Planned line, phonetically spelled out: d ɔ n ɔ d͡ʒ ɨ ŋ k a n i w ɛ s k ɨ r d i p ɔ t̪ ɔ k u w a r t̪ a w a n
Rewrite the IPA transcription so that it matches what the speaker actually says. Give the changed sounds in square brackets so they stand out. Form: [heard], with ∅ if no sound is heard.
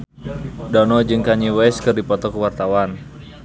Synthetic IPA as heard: d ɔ n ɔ d͡ʒ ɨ ŋ k a [ɲ] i w ɛ s k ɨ r d i p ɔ t̪ ɔ k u w a r t̪ a w a n